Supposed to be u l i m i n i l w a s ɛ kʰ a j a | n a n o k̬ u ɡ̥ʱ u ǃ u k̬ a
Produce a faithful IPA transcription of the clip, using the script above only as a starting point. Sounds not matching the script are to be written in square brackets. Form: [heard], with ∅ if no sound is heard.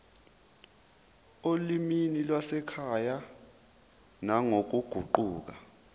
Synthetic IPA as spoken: [o] l i m i n i l w a s ɛ kʰ a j a | n a [ŋ] o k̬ u ɡ̥ʱ u ǃ [uː] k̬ a

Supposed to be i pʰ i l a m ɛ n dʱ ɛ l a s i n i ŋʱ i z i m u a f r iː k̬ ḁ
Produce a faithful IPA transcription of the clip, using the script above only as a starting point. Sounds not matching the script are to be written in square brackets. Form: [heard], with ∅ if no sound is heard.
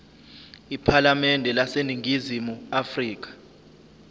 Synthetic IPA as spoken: i pʰ [a] l a m ɛ n dʱ ɛ l a s [e] n i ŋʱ i z i m u a f r iː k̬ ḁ

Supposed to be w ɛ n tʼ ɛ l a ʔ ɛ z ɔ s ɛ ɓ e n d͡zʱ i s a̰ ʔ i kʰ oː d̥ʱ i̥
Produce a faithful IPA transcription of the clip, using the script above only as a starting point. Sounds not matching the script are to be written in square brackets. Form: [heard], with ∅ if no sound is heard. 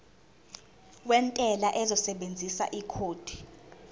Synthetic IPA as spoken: w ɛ n tʼ ɛ l a ʔ ɛ z ɔ s ɛ ɓ e n d͡zʱ i s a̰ ʔ i kʰ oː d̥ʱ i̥

